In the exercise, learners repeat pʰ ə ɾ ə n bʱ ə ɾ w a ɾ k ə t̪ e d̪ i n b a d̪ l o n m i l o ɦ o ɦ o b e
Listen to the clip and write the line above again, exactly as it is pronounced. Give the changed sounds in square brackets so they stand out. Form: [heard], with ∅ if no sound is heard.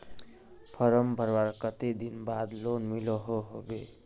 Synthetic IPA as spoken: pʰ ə ɾ ə [m] bʱ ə ɾ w a ɾ k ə t̪ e d̪ i n b a d̪ l o n m i l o ɦ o ɦ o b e